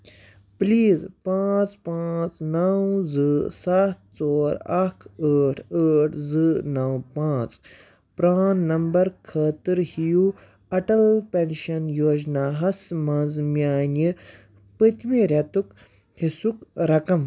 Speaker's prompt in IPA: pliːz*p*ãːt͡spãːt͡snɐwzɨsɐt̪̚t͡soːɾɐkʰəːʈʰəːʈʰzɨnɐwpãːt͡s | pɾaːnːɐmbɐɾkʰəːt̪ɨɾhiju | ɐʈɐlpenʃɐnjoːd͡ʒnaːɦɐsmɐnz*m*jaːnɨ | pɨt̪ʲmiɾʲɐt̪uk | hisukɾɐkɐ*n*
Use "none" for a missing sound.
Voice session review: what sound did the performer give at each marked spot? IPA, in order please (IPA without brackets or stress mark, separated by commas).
p, m, m